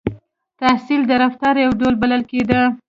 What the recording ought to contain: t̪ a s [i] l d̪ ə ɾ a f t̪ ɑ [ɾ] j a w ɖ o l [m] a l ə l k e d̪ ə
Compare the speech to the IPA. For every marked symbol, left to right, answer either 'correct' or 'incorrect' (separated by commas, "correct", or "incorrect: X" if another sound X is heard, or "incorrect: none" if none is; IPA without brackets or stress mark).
correct, correct, incorrect: b